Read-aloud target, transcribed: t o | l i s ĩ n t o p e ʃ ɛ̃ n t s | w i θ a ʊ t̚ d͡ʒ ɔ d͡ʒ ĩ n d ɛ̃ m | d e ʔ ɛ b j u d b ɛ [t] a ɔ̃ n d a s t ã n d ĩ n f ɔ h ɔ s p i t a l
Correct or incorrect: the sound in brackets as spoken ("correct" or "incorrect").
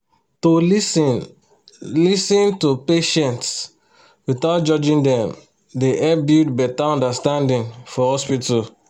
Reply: correct